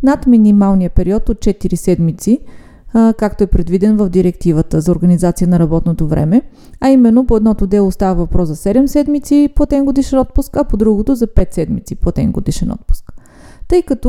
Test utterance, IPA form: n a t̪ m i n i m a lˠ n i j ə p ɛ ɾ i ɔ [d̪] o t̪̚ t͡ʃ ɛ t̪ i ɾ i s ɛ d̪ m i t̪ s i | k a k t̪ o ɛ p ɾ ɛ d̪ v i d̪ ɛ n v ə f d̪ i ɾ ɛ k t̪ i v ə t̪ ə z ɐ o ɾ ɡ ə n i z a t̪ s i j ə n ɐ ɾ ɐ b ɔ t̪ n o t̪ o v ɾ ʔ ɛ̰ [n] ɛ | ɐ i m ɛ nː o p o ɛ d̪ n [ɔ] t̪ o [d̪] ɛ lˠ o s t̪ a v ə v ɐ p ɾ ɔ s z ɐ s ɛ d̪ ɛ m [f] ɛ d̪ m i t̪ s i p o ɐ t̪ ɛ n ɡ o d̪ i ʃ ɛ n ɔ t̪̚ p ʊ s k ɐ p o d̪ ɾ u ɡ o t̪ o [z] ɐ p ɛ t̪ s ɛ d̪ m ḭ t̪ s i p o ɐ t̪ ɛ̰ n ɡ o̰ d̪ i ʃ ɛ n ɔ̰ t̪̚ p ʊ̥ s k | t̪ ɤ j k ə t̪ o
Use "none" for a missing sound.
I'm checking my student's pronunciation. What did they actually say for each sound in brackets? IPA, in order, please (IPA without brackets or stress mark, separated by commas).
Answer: t̪, m, ɔ, d̪, s, z